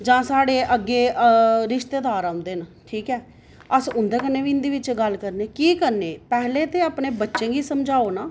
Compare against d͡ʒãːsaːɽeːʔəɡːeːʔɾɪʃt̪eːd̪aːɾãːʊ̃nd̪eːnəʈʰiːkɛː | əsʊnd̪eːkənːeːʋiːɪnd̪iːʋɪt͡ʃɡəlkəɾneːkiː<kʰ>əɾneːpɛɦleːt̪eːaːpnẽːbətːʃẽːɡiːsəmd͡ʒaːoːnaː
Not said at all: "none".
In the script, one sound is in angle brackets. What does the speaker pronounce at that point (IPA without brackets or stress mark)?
k